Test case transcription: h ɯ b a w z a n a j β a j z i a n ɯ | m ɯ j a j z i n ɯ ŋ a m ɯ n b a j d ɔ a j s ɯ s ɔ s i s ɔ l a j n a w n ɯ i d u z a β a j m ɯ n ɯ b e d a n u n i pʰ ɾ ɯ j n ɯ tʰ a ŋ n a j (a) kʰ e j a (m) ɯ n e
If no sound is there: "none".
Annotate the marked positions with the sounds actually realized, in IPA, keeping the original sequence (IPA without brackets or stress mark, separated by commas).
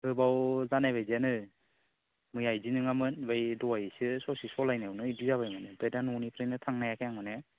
a, ŋ